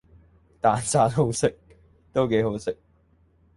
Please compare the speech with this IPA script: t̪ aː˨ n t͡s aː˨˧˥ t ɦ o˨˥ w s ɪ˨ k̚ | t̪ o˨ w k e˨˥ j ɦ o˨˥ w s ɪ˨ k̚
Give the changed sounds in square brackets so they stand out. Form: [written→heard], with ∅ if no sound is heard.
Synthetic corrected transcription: t̪ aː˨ n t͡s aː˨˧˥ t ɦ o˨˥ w s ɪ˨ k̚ | t̪ [o˨→o˥] w k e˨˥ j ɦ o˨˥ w s ɪ˨ k̚